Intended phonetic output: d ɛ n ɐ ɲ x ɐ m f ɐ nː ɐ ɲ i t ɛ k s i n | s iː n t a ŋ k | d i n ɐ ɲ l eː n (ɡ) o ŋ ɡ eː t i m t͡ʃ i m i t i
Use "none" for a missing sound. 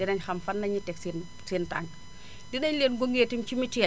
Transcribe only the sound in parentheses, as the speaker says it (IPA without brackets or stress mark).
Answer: ɡ